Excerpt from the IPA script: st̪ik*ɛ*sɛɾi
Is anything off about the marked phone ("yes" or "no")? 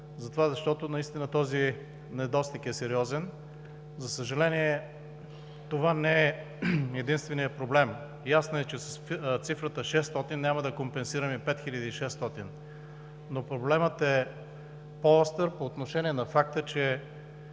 no